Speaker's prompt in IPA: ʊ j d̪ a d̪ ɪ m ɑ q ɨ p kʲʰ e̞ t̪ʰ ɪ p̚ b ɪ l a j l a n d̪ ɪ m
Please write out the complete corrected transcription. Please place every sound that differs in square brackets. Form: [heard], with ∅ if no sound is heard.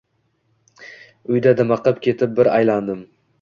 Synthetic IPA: ʊ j d̪ a d̪ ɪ m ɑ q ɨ p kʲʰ e̞ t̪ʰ ɪ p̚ b ɪ [ɾ] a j l a n d̪ ɪ m